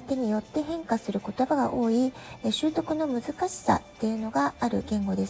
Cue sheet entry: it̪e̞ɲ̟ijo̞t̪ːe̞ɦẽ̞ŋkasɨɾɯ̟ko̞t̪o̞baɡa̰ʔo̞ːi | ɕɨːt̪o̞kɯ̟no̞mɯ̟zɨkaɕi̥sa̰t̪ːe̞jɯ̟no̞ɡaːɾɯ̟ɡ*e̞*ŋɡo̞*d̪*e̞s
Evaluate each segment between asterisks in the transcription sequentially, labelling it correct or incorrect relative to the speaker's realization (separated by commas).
incorrect, correct